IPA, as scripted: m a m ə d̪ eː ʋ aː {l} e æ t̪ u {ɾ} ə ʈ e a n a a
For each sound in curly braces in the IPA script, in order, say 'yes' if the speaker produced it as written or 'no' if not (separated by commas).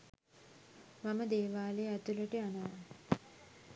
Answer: yes, no